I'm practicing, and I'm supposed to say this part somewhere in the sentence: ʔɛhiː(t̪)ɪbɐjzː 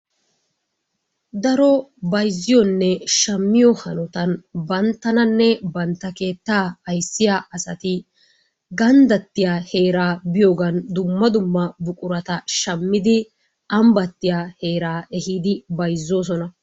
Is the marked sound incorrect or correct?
incorrect